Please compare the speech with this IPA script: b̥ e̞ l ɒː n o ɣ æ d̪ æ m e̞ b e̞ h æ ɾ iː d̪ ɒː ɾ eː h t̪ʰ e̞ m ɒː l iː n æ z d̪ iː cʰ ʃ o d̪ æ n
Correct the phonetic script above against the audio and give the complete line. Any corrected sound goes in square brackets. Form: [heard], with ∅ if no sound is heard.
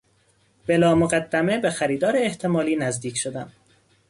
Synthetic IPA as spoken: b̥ e̞ l ɒː [m] o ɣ æ [d̪ː] æ m e̞ b e̞ [x] æ ɾ iː d̪ ɒː ɾ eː h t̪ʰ e̞ m ɒː l iː n æ z d̪ iː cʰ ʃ o d̪ æ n